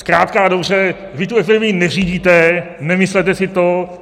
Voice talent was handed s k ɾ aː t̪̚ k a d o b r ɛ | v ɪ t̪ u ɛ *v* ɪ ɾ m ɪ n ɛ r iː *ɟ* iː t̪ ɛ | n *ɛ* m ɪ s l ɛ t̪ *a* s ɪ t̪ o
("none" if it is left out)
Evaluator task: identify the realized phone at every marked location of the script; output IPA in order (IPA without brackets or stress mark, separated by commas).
f, ɟ, ɛ, ɛ